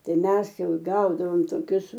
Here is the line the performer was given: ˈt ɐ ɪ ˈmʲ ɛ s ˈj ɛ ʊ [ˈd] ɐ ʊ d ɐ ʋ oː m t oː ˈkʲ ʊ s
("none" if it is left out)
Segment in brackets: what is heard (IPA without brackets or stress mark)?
ɡ